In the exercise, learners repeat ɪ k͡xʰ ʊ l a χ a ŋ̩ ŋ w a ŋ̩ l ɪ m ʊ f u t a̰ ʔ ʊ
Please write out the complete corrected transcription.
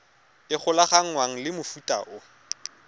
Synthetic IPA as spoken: ɪ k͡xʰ ʊ l a χ a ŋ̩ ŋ w a ŋ̩ l ɪ m ʊ f u tʼ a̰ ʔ ʊ